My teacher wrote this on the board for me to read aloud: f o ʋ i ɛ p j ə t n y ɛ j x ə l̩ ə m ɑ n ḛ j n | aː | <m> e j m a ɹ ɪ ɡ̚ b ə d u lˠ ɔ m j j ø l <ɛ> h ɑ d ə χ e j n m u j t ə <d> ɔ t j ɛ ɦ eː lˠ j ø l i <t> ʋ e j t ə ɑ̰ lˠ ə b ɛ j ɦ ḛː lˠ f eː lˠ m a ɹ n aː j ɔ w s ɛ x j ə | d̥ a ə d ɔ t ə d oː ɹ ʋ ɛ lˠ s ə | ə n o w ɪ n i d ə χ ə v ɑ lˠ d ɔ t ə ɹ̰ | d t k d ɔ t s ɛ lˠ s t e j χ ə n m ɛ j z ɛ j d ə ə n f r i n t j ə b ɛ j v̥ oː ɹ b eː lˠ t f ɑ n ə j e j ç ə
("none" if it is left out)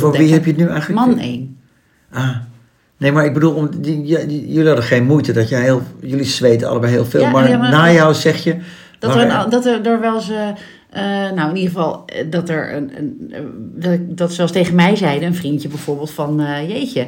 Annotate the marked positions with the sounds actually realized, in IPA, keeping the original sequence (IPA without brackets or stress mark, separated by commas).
n, i, d, s